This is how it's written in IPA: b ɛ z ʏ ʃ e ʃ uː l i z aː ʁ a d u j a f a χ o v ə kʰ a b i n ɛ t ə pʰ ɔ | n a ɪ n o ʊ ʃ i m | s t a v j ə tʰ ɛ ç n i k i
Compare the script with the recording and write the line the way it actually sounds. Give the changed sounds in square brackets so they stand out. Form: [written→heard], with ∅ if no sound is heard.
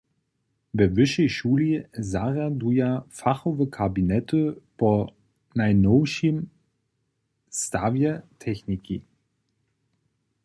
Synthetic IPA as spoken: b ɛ [z→v] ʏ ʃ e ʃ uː l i z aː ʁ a d u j a f a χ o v ə kʰ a b i n ɛ t ə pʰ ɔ | n a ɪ n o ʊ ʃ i m | s t a v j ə tʰ ɛ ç n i k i